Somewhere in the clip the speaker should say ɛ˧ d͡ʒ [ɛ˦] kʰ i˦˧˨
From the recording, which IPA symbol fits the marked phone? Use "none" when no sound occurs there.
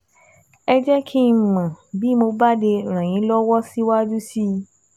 ɛ˦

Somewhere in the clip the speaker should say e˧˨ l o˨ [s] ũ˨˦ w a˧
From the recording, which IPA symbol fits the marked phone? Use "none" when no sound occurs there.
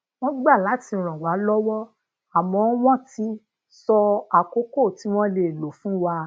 f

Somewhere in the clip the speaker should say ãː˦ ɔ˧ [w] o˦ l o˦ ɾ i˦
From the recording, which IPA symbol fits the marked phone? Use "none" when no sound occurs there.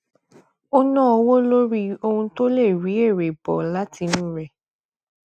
w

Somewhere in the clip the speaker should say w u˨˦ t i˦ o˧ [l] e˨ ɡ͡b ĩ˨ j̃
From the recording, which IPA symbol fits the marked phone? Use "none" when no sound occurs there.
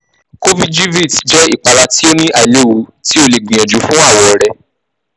l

